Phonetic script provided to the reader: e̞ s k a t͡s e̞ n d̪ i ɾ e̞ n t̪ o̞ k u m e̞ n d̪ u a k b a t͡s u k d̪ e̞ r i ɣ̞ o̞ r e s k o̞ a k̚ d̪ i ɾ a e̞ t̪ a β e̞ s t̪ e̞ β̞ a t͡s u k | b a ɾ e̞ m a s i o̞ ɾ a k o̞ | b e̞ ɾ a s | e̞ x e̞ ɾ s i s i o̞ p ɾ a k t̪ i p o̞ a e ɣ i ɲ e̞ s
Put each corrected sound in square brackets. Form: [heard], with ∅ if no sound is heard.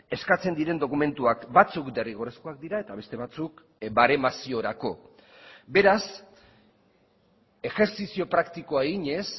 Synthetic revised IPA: e̞ s k a t͡s e̞ n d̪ i ɾ e̞ n [d̪] o̞ k u m e̞ n [t̪] u a k b a t͡s u k d̪ e̞ r i ɣ̞ o̞ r e s k o̞ a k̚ d̪ i ɾ a e̞ t̪ a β e̞ s t̪ e̞ β̞ a t͡s u k | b a ɾ e̞ m a s i o̞ ɾ a k o̞ | b e̞ ɾ a s | e̞ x e̞ ɾ s i s i o̞ p ɾ a k t̪ i [k] o̞ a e ɣ i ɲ e̞ s